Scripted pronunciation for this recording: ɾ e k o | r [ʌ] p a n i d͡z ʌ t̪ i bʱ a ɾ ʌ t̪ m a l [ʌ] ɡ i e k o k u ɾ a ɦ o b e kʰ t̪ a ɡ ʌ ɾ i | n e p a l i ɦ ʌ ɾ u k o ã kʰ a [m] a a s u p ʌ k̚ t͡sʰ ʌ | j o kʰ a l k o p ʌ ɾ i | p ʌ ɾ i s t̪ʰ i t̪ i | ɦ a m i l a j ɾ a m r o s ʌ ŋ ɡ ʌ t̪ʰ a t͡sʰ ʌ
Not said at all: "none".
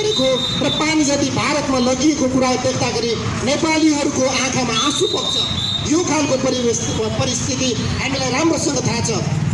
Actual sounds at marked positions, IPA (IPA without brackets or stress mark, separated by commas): ʌ, ʌ, m